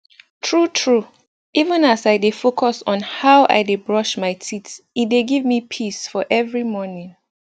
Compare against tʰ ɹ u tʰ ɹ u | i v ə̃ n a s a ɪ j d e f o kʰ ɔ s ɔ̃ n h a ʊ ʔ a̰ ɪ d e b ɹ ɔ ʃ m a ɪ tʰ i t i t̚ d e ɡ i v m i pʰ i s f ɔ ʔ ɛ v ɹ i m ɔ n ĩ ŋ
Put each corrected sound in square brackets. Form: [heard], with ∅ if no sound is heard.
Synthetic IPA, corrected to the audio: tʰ ɹ u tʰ ɹ u | i v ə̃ n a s a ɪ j d e f o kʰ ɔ s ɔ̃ n h a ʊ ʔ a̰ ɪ d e b ɹ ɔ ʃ m a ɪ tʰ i t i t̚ d e ɡ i v m i pʰ i s f ɔ ʔ ɛ v ɹ i m ɔ n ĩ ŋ